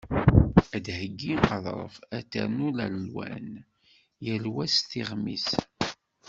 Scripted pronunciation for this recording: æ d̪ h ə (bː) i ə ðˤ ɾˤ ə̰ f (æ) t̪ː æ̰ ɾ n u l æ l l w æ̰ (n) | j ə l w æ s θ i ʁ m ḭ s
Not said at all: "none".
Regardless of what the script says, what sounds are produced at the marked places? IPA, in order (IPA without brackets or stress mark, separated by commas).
ɡː, æ, n